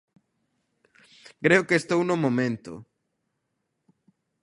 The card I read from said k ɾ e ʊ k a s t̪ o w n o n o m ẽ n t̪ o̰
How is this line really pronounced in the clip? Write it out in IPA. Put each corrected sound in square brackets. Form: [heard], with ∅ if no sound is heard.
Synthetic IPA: k ɾ e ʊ k [e] s t̪ o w n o [m] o m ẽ n t̪ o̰

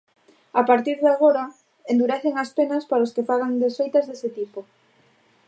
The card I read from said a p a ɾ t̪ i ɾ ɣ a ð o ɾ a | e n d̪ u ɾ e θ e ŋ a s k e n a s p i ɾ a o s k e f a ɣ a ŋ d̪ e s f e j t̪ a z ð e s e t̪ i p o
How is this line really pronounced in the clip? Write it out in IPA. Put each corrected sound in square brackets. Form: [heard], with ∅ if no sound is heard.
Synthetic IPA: a p a ɾ t̪ i ɾ [ð] a [ɣ] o ɾ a | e n d̪ u ɾ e θ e ŋ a s [p] e n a s p [a] ɾ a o s k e f a ɣ a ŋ d̪ e s f e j t̪ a z ð e s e t̪ i p o

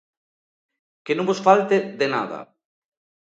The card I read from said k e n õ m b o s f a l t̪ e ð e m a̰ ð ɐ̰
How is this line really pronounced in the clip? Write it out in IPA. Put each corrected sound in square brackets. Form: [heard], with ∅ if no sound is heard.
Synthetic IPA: k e n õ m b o s f a l t̪ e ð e [n] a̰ ð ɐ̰

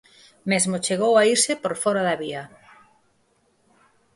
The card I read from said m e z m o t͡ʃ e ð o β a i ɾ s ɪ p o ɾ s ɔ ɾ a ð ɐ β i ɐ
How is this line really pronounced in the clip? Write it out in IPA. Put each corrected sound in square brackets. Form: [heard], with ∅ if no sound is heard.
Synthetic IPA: m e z m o t͡ʃ e [ɣ] o [w] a i ɾ s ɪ p o ɾ [f] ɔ ɾ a ð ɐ β i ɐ

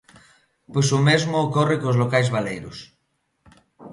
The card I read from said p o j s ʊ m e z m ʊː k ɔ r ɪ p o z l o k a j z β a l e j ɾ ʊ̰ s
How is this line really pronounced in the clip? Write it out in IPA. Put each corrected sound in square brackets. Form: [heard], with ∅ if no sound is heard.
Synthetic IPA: p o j s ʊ m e z m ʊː k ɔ r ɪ [k] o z l o k a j z β a l e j ɾ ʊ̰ s

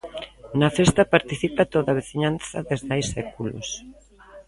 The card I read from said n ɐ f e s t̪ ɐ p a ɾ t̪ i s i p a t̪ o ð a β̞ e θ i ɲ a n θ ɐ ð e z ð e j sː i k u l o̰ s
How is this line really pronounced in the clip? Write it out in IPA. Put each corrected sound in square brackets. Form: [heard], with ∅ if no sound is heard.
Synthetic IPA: n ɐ f e s t̪ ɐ p a ɾ t̪ i [θ] i p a t̪ o ð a β̞ e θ i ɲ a n θ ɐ ð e z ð [a] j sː [ɛ] k u l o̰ s

